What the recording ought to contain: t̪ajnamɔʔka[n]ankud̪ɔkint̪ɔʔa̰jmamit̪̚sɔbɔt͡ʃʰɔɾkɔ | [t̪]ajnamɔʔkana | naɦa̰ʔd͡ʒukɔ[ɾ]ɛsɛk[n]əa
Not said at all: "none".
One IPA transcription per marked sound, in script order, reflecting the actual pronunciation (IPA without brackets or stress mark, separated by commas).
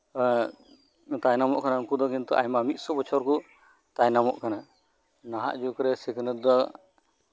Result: n, t̪, ɾ, n